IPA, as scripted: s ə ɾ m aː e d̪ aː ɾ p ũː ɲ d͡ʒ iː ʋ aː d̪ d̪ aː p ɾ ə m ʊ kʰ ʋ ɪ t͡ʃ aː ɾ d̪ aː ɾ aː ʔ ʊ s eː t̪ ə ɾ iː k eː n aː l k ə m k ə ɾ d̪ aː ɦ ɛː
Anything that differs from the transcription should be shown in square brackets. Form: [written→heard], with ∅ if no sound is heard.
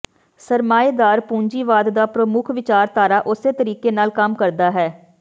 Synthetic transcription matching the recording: s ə ɾ m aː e d̪ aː ɾ p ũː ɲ d͡ʒ iː ʋ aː d̪ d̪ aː p ɾ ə m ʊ kʰ ʋ ɪ t͡ʃ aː ɾ [d̪→t̪] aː ɾ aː ʔ ʊ s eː t̪ ə ɾ iː k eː n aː l k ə m k ə ɾ d̪ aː ɦ ɛː